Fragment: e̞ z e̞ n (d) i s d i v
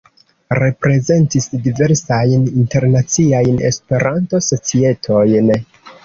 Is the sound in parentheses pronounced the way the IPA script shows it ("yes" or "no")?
no